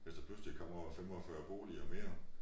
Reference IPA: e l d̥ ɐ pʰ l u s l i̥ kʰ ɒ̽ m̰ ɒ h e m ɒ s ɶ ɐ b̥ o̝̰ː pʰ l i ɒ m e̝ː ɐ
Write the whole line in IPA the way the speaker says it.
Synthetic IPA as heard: e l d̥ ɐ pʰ l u s l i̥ kʰ ɒ̽ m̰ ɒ f e m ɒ f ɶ ɐ b̥ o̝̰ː l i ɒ m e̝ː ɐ